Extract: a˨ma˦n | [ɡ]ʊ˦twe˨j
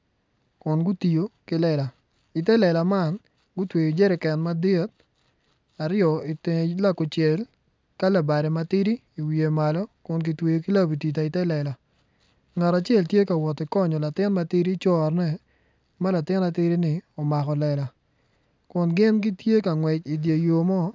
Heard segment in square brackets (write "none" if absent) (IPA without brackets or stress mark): ɡ